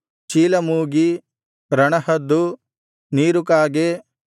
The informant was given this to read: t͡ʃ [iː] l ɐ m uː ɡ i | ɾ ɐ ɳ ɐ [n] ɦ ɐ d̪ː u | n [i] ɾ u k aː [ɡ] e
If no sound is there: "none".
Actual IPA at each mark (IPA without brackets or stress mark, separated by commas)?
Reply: iː, none, iː, ɡ